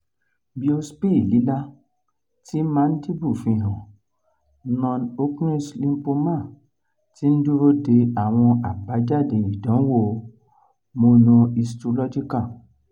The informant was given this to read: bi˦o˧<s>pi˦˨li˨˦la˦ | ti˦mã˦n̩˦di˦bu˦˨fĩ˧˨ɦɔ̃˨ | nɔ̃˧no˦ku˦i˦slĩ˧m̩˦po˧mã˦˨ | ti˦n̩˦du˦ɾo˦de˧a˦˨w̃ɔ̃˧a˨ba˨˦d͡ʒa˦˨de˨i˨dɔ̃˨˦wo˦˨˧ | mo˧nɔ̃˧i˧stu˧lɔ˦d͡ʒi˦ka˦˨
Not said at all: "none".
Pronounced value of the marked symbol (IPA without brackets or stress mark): s